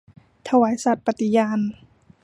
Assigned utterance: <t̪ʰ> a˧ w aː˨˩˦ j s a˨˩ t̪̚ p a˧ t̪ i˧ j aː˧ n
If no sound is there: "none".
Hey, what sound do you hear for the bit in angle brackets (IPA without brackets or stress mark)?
t̪ʰ